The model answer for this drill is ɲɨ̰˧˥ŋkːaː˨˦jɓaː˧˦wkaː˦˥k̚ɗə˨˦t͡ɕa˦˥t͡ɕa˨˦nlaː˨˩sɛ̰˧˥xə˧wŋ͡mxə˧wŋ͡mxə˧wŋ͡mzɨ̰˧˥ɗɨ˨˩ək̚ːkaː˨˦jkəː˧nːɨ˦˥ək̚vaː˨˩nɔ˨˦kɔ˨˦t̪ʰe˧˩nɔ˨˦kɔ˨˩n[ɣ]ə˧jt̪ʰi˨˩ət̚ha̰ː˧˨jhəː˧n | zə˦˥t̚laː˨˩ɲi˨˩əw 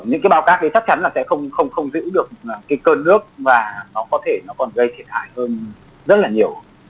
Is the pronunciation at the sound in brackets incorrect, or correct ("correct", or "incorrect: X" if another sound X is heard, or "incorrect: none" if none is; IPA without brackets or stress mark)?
correct